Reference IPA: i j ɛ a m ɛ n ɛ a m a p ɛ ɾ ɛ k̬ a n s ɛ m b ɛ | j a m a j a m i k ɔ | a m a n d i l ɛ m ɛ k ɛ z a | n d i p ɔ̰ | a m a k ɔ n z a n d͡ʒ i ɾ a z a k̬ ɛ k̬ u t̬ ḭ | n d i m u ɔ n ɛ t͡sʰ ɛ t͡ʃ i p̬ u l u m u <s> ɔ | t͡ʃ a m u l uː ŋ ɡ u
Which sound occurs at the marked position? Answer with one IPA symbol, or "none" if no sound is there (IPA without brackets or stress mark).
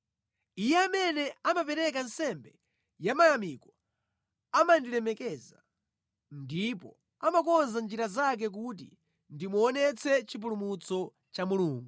t͡s